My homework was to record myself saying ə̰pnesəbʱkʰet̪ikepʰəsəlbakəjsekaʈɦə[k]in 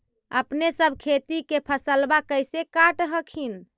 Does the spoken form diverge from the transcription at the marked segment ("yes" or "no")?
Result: yes